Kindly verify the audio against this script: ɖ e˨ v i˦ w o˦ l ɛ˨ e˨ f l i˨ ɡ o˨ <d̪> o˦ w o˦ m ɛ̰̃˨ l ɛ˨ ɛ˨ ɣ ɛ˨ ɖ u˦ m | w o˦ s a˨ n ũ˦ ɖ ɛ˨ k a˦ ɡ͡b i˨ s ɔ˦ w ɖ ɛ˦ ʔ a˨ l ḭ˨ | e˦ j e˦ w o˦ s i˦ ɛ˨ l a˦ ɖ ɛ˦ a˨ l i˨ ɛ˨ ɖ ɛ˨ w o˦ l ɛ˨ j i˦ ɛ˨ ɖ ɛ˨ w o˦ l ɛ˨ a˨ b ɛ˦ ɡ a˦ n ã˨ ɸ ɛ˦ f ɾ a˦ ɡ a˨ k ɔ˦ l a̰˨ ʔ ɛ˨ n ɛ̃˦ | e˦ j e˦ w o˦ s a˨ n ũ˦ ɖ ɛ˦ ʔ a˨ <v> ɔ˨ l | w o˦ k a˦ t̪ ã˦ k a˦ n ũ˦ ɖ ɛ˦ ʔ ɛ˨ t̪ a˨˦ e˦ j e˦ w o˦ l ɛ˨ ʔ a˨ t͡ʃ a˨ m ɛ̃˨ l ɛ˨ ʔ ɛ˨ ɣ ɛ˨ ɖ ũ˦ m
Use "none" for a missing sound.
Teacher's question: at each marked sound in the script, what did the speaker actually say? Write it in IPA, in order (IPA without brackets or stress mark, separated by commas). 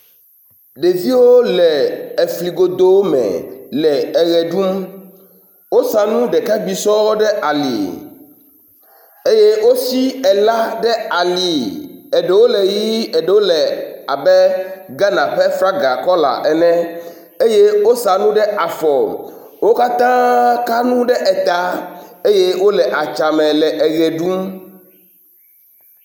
d̪, f